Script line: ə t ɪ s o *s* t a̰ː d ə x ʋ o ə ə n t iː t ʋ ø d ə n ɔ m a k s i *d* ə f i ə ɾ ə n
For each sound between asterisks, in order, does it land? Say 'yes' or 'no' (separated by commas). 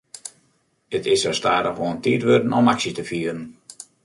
yes, no